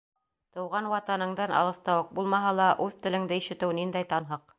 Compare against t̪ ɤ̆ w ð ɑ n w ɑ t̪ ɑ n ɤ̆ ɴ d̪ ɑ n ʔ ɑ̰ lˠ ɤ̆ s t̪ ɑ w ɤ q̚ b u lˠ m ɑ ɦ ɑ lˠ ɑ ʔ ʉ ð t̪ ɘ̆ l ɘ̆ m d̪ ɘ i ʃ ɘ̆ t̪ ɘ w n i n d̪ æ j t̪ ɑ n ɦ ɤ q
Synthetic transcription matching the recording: t̪ ɤ̆ w ʁ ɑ n w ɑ t̪ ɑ n ɤ̆ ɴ d̪ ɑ n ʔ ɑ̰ lˠ ɤ̆ s t̪ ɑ w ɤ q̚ b u lˠ m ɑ ɦ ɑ lˠ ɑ ʔ ʉ ð t̪ ɘ̆ l ɘ̆ ŋ d̪ ɘ i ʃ ɘ̆ t̪ ɘ w n i n d̪ æ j t̪ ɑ n ɦ ɤ q